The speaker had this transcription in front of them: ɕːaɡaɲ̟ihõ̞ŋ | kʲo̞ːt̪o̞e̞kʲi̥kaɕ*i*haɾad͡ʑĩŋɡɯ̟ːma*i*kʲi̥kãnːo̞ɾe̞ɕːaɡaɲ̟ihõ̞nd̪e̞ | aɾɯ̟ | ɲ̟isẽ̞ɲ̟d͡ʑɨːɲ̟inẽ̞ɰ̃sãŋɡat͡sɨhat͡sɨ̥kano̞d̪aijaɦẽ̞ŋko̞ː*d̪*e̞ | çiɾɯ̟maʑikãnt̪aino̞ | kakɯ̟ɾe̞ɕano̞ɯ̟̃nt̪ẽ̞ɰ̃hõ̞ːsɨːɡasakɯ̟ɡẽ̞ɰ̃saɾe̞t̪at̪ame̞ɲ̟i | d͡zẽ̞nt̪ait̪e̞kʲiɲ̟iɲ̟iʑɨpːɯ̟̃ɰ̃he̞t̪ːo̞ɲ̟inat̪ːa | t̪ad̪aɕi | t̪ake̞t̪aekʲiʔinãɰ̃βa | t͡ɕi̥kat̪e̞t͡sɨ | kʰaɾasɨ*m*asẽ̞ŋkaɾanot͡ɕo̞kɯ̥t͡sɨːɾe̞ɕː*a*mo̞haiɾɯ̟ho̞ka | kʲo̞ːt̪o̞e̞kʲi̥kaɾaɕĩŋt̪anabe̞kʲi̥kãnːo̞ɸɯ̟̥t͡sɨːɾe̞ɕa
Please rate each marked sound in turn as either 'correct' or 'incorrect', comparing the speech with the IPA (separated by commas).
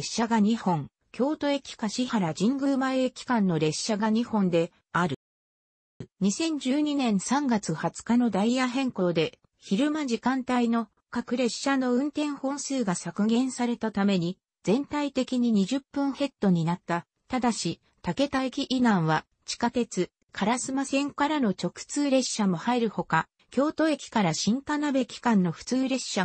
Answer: correct, incorrect, correct, correct, correct